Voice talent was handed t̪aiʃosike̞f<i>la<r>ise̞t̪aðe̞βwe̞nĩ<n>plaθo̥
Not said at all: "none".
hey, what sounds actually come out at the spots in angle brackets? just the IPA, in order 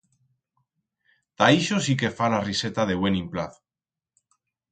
a, r, m

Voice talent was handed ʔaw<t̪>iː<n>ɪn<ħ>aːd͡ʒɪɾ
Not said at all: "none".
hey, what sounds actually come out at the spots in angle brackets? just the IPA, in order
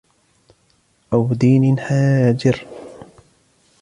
d̪, n, ħ

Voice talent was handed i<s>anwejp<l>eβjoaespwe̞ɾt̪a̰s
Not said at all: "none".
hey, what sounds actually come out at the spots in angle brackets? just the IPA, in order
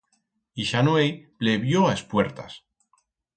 ʃ, l

